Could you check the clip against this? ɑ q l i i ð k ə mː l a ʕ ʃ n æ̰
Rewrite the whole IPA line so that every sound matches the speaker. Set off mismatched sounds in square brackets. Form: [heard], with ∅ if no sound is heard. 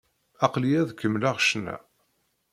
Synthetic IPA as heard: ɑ q l i [æ] ð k ə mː l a [ʁ] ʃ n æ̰